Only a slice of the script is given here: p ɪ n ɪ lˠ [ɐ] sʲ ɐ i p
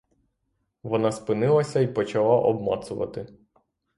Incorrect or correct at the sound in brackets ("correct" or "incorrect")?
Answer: correct